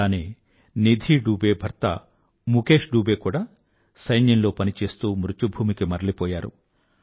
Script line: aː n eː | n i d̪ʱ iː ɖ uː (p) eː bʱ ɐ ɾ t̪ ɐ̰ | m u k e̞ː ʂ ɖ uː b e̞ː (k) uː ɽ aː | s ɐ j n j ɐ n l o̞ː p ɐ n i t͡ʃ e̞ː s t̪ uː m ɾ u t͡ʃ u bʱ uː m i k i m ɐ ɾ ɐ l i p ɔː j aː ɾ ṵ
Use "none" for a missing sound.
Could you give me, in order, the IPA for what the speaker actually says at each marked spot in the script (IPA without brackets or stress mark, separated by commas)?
b, k